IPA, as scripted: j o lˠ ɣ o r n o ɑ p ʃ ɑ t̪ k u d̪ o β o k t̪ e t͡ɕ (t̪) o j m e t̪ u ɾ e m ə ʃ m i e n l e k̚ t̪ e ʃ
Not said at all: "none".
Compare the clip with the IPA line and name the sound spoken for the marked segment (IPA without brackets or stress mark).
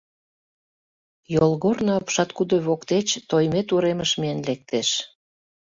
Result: t̪